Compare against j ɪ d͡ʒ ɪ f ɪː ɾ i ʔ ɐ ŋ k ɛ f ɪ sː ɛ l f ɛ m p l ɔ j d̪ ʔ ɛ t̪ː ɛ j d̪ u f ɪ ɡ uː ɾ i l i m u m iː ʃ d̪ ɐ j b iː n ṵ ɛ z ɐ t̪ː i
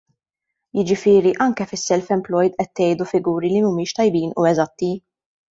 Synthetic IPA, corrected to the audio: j ɪ d͡ʒ ɪ f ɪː ɾ i ʔ ɐ ŋ k ɛ f ɪ sː ɛ l f ɛ m p l ɔ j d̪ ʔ ɛ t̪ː ɛ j d̪ u f ɪ ɡ uː ɾ i l i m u m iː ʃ t̪ ɐ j b iː n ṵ ɛ z ɐ t̪ː i